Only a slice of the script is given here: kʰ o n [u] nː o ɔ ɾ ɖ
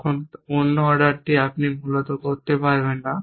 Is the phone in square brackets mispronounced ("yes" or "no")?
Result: yes